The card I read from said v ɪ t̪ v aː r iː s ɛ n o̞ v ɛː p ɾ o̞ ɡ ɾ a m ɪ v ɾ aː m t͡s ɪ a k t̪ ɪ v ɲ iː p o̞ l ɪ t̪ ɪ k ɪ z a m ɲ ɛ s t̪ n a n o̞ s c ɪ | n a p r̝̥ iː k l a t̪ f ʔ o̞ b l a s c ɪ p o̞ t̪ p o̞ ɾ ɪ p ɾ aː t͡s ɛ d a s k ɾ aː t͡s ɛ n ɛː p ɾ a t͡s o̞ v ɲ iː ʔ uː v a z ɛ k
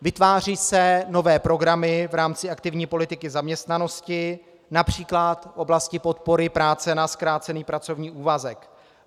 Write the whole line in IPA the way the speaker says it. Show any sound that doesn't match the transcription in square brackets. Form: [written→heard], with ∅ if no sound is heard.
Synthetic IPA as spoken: v ɪ t̪ v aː r iː s ɛ n o̞ v ɛː p ɾ o̞ ɡ ɾ a m ɪ v ɾ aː m t͡s ɪ a k t̪ ɪ v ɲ iː p o̞ l ɪ t̪ ɪ k ɪ z a m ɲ ɛ s t̪ n a n o̞ s c ɪ | n a p r̝̥ iː k l a t̪ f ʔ o̞ b l a s c ɪ p o̞ t̪ p o̞ ɾ ɪ p ɾ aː t͡s ɛ [d→n] a s k ɾ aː t͡s ɛ n [ɛː→iː] p ɾ a t͡s o̞ v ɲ iː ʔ uː v a z ɛ k